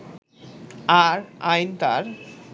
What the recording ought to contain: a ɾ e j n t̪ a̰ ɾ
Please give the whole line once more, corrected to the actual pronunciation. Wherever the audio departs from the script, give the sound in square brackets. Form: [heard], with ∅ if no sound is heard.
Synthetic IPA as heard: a ɾ [a] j n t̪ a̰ ɾ